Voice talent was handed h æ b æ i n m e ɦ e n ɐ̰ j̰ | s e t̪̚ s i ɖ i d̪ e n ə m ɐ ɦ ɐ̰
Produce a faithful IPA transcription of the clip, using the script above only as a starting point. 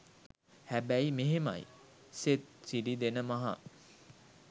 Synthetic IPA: h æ b æ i m e ɦ e m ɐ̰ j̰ | s e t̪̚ s i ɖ i d̪ e n ə m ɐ ɦ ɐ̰